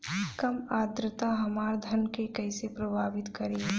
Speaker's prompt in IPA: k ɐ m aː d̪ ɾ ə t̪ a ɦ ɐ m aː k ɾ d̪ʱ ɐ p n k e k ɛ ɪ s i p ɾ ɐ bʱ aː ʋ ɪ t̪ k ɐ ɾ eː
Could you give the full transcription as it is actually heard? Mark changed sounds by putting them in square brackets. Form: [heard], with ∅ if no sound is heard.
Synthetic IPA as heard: k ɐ m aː d̪ ɾ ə t̪ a ɦ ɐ m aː [∅] ɾ d̪ʱ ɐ [∅] n k e k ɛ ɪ s [e] p ɾ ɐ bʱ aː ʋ ɪ t̪ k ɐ ɾ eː